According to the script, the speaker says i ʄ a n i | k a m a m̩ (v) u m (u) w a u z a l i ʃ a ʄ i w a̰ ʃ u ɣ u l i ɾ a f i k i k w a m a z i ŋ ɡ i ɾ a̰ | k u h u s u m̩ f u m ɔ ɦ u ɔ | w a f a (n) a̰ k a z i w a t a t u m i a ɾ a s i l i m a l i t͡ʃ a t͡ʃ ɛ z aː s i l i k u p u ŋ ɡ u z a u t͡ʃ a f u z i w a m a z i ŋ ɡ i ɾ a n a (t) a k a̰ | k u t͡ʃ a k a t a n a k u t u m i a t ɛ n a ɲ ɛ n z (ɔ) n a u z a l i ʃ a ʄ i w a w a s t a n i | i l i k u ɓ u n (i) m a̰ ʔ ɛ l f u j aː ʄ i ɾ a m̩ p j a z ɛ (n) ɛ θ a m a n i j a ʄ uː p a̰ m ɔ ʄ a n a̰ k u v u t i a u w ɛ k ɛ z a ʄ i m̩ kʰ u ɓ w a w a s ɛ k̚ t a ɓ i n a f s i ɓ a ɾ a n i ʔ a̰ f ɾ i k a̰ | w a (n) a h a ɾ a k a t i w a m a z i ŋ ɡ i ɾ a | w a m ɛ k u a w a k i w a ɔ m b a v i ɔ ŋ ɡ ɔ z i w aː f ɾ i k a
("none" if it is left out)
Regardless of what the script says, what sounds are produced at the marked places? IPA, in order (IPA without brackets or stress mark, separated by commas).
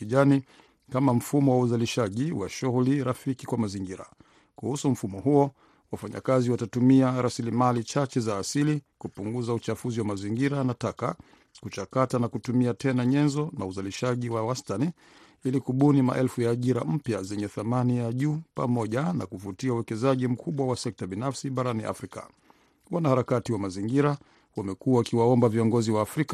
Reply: f, ɔ, ɲ, t, ɔ, i, ɲ, n